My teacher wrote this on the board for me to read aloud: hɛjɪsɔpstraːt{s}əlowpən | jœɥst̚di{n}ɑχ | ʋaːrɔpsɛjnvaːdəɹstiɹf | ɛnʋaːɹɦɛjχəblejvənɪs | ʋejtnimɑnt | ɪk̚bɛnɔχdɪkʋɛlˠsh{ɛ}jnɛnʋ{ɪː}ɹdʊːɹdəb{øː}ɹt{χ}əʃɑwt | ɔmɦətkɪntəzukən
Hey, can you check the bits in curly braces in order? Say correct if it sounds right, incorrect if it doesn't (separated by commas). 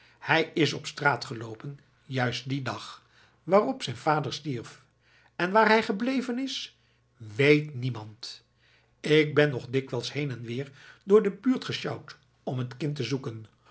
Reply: incorrect, incorrect, incorrect, correct, incorrect, correct